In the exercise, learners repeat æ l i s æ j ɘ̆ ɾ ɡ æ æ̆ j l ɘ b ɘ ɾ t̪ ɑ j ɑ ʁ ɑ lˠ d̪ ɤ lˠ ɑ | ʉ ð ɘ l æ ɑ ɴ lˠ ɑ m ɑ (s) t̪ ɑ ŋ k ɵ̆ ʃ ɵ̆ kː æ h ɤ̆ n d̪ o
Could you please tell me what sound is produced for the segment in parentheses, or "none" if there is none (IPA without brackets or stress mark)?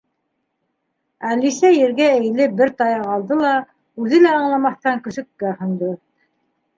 θ